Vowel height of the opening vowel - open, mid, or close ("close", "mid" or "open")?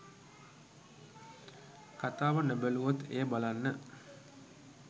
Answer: open